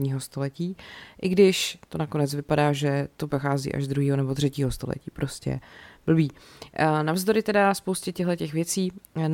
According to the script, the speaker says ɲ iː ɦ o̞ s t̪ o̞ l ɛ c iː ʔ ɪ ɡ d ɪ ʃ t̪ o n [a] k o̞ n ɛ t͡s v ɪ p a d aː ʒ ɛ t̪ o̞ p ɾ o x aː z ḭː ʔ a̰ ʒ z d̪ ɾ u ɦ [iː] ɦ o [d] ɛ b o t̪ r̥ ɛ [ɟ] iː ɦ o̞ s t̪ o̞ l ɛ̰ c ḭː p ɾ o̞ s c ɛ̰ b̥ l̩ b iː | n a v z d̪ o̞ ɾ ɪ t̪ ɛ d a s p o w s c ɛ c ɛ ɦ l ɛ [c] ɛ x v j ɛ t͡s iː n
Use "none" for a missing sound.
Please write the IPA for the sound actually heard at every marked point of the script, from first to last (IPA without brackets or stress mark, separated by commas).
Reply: a, iː, n, c, c